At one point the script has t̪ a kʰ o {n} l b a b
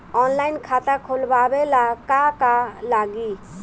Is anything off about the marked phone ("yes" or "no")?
yes